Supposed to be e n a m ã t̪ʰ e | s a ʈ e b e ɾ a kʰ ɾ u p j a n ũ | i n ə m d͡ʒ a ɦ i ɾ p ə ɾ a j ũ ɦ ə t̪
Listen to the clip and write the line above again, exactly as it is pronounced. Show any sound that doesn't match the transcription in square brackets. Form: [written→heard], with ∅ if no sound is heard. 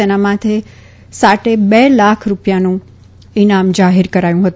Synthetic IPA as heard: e n a m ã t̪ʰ e | s a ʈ e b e [ɾ→l] a kʰ ɾ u p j a n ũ | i n [ə→a] m d͡ʒ a ɦ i ɾ [p→k] ə ɾ a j ũ ɦ ə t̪